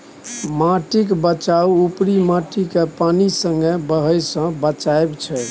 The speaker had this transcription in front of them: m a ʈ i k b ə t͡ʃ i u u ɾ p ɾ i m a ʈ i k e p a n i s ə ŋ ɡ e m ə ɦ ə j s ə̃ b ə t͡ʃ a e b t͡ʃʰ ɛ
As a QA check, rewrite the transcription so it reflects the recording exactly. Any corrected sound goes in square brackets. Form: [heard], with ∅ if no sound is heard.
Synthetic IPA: m a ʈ i k b ə t͡ʃ [a] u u [∅] p ɾ i m a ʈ i k e p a n i s ə ŋ ɡ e [b] ə ɦ ə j s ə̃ b ə t͡ʃ a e b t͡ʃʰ ɛ